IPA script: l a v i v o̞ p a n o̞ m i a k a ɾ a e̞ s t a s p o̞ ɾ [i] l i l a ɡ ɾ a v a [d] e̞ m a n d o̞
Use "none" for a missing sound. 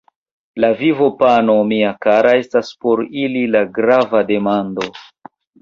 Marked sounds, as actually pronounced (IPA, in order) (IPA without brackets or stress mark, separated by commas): i, d